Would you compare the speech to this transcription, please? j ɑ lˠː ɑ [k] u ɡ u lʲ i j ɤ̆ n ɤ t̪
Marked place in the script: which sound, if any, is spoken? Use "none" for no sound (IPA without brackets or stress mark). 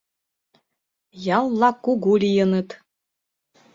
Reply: k